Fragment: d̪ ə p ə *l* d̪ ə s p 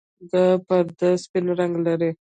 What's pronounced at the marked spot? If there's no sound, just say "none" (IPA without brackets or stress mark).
ɾ